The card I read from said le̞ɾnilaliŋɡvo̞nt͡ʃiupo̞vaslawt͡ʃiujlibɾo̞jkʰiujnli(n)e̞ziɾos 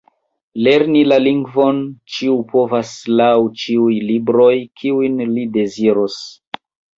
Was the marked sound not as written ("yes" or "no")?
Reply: yes